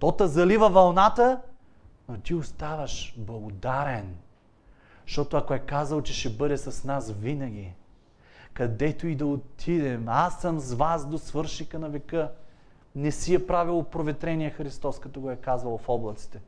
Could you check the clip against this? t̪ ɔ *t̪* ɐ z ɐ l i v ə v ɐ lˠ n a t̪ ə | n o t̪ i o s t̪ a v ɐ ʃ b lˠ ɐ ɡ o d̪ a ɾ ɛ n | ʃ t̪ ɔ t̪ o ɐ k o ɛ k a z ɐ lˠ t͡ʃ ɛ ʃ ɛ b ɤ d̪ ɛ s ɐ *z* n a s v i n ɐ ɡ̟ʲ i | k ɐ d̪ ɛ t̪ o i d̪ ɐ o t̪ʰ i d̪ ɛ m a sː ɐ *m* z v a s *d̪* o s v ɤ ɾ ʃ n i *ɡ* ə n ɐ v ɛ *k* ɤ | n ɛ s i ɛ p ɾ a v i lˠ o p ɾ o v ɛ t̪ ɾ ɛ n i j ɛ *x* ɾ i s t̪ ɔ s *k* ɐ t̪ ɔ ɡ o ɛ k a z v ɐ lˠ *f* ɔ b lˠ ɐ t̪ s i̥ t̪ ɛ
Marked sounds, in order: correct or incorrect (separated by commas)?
correct, incorrect, correct, correct, incorrect, correct, correct, correct, correct